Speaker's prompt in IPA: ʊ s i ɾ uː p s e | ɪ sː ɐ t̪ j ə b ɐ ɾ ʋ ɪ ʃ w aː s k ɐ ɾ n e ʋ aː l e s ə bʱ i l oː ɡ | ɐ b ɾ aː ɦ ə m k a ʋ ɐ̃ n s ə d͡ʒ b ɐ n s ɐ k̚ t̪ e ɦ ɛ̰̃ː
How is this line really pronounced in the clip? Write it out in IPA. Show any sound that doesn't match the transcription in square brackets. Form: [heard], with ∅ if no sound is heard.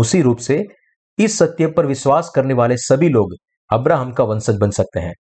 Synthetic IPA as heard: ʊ s i ɾ uː p s e | ɪ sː ɐ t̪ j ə [p] ɐ ɾ ʋ ɪ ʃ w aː s k ɐ ɾ n e ʋ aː l e s [ɐ] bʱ i l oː ɡ | ɐ b ɾ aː ɦ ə m k a ʋ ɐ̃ n s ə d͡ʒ b ɐ n s ɐ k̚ t̪ e ɦ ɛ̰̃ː